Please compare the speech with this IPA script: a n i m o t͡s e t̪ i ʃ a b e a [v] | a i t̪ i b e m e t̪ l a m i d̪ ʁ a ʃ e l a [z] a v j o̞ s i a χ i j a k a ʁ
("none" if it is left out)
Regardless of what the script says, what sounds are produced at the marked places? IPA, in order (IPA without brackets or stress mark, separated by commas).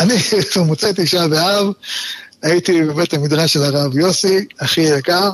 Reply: v, ʁ